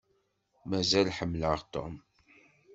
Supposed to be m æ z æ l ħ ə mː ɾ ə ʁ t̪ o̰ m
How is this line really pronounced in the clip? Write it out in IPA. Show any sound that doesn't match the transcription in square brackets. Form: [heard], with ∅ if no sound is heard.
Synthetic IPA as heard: m æ z æ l ħ ə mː [l] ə ʁ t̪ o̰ m